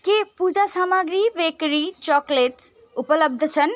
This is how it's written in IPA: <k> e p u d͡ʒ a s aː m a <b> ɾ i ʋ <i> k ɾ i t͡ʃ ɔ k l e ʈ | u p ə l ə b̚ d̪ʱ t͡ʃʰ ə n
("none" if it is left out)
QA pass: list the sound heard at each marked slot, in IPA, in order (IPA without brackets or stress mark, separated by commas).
k, ɡ, e